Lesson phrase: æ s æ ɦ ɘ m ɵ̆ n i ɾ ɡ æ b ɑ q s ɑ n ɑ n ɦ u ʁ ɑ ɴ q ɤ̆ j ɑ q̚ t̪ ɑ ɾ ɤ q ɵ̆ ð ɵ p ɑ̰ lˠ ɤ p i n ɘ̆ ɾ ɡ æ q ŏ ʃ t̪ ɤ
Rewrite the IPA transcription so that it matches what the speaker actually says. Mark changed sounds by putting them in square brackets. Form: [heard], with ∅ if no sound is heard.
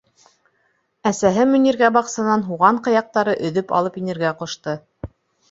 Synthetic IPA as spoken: æ s æ ɦ ɘ m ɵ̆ n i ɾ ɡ æ b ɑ q s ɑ n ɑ n ɦ u ʁ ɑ ɴ q ɤ̆ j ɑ q̚ t̪ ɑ ɾ ɤ [ʔ] ɵ̆ ð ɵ p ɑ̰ lˠ ɤ p i n ɘ̆ ɾ ɡ æ q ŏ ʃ t̪ ɤ

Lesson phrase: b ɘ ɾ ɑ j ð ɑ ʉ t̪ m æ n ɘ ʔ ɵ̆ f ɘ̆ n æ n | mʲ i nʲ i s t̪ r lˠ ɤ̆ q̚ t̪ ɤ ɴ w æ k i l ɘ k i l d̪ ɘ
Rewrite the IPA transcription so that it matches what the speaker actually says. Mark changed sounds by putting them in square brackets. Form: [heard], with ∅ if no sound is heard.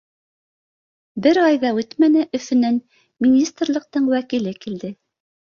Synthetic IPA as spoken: b ɘ ɾ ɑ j ð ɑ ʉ t̪ m æ n ɘ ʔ ɵ̆ f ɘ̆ n æ n | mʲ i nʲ i s t̪ r lˠ ɤ̆ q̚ t̪ ɤ ɴ w æ k i l ɘ k i l d̪ ɘ

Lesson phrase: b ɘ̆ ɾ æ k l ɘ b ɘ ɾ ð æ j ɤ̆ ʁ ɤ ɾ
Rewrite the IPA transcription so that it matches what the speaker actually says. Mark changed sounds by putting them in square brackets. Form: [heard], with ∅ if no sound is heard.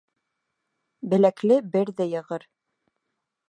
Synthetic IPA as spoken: b ɘ̆ [l] æ k l ɘ b ɘ ɾ ð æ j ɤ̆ ʁ ɤ ɾ

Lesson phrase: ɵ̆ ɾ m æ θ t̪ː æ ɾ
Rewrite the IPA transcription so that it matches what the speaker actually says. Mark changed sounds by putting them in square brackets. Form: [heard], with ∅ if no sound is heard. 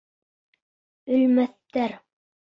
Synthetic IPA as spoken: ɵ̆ [l] m æ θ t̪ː æ ɾ

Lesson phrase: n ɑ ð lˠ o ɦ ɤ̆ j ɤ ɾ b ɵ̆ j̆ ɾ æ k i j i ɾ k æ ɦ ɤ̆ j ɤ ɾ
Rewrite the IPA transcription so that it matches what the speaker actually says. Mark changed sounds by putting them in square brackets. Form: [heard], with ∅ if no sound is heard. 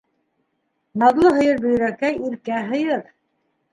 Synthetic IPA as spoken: n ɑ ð lˠ [ɤ] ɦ ɤ̆ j ɤ ɾ b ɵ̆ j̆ ɾ æ k [æ] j i ɾ k æ ɦ ɤ̆ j ɤ ɾ

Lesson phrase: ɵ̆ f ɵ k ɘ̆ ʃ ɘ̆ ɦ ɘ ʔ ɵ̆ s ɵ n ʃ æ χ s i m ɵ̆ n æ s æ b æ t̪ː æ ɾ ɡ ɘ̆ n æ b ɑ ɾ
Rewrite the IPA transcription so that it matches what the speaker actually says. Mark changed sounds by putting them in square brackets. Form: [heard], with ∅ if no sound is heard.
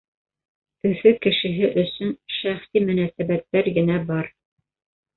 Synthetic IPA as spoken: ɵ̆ f ɵ k ɘ̆ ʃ ɘ̆ ɦ ɘ ʔ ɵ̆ s ɵ n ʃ æ χ s i m ɵ̆ n æ s æ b æ t̪ː æ ɾ ɡ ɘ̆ n æ b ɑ ɾ

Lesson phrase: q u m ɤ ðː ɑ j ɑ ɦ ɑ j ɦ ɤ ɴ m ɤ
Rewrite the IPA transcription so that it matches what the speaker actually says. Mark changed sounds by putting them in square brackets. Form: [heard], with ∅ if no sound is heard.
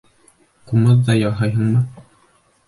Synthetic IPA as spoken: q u m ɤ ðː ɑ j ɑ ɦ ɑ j ɦ ɤ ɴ m ɤ

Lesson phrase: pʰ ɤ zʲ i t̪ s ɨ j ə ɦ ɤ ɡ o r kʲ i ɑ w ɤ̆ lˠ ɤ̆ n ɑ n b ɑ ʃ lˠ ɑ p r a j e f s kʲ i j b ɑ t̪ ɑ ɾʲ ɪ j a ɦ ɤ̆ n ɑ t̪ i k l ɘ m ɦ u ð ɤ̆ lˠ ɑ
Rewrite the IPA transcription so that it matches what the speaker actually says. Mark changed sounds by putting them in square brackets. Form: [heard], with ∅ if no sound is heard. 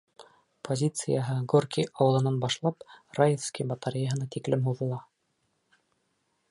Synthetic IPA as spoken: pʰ [o] zʲ i t̪ s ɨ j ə ɦ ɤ ɡ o r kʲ i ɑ w ɤ̆ lˠ ɤ̆ n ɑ n b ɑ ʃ lˠ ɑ p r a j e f s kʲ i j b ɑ t̪ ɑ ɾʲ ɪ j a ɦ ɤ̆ n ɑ t̪ i k l ɘ m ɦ u ð ɤ̆ lˠ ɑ

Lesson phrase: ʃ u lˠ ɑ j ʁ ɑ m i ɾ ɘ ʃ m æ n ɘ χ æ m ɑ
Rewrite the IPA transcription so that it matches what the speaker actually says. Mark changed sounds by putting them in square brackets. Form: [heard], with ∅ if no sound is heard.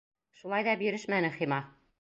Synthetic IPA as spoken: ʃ u lˠ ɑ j [ð] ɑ [b] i ɾ ɘ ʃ m æ n ɘ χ [i] m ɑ

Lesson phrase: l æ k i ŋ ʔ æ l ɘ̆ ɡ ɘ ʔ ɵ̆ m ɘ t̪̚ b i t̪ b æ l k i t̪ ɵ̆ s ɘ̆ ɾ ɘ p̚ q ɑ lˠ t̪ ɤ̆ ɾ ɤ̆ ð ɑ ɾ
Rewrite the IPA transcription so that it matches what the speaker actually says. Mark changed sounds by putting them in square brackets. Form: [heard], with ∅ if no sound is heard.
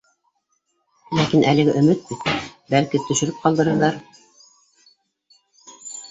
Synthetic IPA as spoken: l æ k i [n] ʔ æ l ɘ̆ ɡ ɘ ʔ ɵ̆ m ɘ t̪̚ b i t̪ b æ l k i t̪ ɵ̆ [ʃ] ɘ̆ ɾ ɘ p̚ q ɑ lˠ [d̪] ɤ̆ ɾ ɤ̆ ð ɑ ɾ

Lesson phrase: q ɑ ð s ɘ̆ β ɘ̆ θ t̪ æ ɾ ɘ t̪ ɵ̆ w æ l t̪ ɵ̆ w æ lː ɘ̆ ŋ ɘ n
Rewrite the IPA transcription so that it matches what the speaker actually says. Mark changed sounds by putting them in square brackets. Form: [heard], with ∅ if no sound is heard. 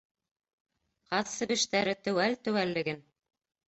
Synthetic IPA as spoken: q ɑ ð s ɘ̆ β ɘ̆ [ʃ] t̪ æ ɾ ɘ t̪ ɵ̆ w æ l t̪ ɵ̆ w æ lː ɘ̆ [ɡ] ɘ n

